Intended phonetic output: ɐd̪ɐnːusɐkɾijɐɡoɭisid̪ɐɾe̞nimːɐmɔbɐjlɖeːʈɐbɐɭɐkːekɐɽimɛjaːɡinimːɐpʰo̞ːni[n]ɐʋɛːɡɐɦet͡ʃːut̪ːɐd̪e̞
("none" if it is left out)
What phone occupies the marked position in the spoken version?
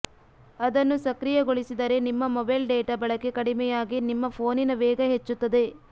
n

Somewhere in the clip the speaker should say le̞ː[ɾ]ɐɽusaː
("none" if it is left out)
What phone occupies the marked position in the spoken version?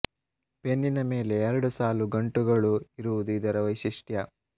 ɾ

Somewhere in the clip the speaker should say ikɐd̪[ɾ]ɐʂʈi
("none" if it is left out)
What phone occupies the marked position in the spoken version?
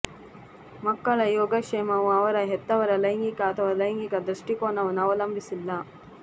ɾ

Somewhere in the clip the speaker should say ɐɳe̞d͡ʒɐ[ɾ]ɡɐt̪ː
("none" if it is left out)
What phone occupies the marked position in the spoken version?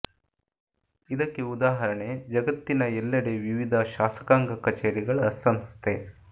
none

